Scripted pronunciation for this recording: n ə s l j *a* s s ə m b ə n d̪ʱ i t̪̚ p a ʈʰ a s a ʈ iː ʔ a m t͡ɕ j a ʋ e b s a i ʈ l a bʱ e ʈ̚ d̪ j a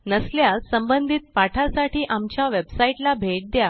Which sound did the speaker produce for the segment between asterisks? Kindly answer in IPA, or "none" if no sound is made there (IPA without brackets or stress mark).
a